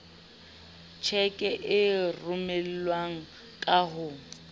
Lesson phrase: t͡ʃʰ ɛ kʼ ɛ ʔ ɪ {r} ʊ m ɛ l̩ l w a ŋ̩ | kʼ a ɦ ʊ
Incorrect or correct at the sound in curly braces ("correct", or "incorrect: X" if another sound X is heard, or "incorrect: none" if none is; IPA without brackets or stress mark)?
correct